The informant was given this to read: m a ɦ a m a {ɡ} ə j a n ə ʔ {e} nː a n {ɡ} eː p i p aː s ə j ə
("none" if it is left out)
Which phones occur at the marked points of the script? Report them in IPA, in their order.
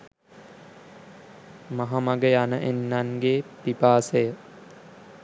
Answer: ɡ, e, ɡ

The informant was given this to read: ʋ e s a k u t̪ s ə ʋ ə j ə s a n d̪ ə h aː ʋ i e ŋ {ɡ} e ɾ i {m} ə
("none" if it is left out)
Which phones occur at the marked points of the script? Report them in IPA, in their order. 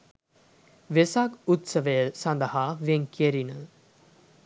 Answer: k, n

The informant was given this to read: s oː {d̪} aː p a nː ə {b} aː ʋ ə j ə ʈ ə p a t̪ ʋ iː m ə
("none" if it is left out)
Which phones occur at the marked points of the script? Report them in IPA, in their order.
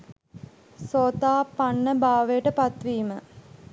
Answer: t̪, b

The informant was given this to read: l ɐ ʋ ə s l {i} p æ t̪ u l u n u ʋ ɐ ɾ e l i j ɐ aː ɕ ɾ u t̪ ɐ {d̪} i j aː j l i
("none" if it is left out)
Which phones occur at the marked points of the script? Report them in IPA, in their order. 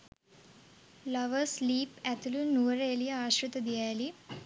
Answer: iː, d̪

